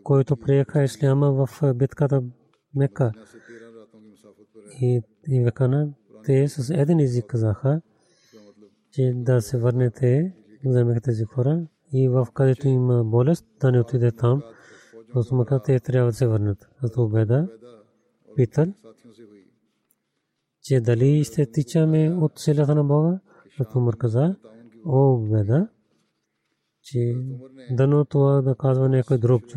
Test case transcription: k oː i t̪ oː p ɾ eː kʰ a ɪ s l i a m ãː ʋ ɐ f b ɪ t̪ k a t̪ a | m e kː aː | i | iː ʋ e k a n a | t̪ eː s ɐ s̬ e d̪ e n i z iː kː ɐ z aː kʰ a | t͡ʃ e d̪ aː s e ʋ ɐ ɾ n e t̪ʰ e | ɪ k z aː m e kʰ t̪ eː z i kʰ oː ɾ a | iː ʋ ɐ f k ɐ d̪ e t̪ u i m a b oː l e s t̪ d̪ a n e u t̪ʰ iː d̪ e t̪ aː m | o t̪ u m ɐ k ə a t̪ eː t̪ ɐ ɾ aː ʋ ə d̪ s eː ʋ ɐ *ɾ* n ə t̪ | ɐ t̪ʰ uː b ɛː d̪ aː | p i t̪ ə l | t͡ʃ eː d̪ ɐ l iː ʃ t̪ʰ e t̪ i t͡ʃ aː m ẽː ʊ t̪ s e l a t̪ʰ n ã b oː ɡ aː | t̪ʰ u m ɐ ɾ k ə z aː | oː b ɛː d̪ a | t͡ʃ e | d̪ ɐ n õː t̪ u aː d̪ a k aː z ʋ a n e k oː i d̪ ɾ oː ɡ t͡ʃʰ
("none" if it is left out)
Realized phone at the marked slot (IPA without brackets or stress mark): ɾ